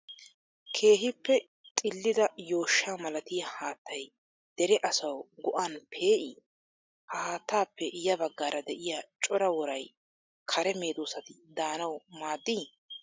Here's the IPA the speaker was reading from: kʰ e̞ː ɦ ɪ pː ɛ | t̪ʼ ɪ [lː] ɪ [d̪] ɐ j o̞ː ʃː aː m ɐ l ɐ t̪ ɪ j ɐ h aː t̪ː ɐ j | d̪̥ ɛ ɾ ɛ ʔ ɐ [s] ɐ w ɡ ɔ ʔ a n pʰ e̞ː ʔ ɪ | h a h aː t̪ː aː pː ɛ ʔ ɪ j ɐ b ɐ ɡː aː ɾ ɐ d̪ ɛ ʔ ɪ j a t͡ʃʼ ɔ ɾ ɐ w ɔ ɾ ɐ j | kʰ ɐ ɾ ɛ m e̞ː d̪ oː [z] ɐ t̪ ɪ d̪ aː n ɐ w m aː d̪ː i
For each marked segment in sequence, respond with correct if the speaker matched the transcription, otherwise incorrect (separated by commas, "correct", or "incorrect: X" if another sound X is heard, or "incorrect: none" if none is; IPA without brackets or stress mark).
correct, correct, correct, incorrect: s